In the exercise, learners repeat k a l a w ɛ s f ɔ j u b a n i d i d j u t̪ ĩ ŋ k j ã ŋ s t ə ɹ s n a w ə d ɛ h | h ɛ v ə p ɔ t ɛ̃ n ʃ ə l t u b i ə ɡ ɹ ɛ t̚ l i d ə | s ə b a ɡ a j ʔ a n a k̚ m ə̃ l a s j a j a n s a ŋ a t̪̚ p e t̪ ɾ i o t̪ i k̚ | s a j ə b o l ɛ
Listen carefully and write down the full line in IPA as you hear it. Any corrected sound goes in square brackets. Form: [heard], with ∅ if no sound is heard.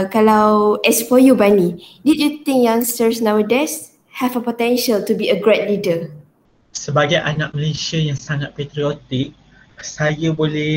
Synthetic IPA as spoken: k a l a w ɛ s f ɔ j u b a n i d i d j u t̪ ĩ ŋ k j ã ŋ s t ə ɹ s n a w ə d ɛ [s] | h ɛ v ə p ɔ t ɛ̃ n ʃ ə l t u b i ə ɡ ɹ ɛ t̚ l i d ə | s ə b a ɡ a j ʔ a n a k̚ m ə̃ l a s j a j a [ŋ] s a ŋ a t̪̚ p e t̪ ɾ i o t̪ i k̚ | s a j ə b o l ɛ